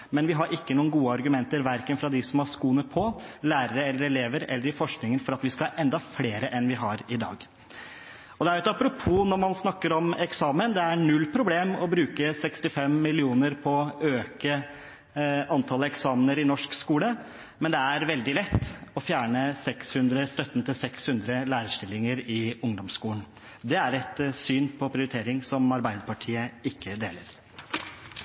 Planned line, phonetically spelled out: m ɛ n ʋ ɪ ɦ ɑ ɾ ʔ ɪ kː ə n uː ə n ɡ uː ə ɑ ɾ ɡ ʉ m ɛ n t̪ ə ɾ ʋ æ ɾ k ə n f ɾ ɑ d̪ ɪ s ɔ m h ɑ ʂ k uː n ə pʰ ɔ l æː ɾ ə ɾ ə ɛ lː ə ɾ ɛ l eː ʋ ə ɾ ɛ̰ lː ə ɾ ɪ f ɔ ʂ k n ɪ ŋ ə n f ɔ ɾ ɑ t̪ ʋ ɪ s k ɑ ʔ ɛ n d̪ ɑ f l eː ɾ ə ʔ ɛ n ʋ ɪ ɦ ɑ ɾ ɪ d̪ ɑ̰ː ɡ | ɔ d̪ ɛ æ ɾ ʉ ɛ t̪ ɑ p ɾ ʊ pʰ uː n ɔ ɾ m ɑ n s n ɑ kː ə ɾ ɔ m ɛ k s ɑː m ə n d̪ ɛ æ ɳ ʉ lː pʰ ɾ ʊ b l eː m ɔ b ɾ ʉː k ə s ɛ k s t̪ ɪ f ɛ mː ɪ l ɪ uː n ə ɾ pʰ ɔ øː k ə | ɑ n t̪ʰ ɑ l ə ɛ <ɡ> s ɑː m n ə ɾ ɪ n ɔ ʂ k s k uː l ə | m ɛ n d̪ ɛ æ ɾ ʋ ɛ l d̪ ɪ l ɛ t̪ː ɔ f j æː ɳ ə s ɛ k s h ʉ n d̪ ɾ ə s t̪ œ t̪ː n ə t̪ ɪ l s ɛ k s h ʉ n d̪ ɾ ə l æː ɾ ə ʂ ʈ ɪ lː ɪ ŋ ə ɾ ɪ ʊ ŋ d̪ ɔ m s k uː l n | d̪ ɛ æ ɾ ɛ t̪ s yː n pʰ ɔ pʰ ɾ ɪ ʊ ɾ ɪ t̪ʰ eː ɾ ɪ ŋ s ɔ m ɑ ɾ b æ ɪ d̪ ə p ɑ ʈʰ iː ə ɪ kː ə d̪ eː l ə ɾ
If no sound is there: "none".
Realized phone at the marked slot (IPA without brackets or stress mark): k